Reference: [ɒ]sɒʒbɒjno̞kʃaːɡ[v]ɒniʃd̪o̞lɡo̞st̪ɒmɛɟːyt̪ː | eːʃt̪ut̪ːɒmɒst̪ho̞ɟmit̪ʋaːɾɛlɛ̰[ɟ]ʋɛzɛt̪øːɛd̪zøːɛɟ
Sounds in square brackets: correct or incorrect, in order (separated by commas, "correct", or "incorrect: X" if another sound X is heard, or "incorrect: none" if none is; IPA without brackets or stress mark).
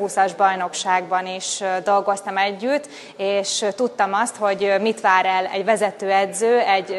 incorrect: u, incorrect: b, correct